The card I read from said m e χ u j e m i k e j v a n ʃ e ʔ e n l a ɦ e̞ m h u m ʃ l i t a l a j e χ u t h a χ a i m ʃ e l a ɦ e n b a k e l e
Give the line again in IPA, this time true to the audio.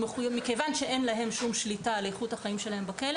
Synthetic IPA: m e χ u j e m i k e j v a n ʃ e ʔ e n l a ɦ e̞ m ʃ u m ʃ l i t a l e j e χ u t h a χ a i m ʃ e l a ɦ e m b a k e l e